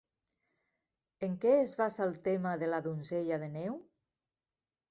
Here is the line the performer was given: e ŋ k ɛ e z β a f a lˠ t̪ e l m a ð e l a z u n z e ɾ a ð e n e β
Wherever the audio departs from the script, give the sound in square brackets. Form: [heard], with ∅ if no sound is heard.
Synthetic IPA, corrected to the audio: e ŋ k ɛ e z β a [s] a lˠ t̪ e [∅] m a ð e l a [ð] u n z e [ʎ] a ð e n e [w]